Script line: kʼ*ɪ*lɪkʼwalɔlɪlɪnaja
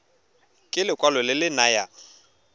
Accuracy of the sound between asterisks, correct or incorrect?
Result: correct